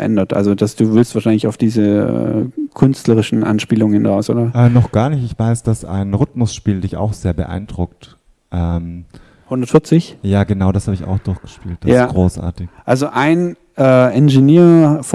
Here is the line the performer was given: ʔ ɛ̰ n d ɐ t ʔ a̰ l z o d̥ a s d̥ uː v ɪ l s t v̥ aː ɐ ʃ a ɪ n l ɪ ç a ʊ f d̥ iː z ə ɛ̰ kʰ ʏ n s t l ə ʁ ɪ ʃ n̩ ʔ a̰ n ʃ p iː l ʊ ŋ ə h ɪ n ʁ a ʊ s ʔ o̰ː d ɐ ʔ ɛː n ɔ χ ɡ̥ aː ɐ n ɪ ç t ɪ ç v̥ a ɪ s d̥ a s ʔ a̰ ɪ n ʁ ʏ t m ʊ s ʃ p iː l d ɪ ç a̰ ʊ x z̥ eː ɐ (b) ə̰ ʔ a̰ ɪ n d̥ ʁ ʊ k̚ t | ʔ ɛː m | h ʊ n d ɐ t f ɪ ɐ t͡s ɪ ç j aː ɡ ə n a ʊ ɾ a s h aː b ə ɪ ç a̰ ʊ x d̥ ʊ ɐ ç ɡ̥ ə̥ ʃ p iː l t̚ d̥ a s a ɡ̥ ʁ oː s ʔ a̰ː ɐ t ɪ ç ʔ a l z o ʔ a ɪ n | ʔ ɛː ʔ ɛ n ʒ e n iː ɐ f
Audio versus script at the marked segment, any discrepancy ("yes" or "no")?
no